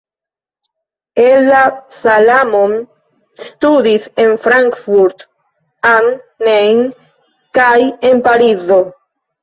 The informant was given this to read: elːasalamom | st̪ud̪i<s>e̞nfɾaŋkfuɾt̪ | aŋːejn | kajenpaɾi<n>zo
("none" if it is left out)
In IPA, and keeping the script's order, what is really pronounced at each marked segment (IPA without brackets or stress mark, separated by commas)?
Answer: s, none